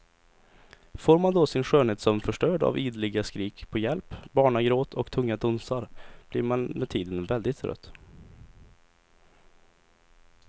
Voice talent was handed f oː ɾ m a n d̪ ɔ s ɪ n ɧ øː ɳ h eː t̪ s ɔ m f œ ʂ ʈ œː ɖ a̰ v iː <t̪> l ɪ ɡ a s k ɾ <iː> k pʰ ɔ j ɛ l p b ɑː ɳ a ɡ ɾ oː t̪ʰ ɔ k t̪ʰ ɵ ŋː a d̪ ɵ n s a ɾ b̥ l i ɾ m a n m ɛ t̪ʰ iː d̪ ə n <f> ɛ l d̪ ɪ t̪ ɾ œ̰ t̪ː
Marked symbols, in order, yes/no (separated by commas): no, yes, no